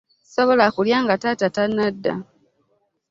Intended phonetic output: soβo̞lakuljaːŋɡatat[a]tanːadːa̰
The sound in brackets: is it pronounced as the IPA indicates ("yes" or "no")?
yes